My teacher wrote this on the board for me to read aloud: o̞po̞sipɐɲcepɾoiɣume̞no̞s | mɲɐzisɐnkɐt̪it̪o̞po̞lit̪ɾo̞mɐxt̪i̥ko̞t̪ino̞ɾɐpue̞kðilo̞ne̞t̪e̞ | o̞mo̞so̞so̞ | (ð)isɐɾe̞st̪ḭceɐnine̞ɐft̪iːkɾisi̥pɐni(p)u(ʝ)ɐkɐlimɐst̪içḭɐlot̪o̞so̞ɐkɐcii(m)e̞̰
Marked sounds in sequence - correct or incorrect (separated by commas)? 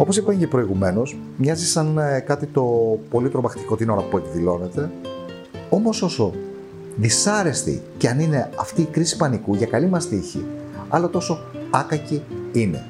correct, incorrect, correct, incorrect